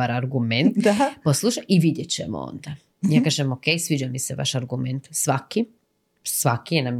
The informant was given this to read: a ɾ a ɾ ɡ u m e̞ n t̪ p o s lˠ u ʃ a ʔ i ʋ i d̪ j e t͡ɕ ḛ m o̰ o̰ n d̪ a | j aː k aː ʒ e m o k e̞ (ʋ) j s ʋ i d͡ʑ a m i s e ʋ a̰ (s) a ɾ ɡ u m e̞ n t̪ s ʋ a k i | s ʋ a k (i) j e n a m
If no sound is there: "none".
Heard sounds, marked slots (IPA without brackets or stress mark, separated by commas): none, ʃ, i